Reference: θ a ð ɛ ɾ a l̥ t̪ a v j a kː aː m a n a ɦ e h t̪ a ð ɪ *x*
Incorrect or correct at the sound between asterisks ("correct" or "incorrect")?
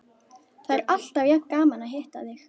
correct